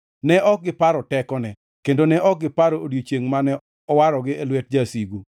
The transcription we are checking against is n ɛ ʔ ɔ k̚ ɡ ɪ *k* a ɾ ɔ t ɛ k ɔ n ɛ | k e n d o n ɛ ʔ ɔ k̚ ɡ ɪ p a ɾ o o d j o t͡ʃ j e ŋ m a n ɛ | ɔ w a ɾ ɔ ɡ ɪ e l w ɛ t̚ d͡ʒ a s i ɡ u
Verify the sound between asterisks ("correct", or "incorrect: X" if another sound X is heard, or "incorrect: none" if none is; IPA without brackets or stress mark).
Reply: incorrect: p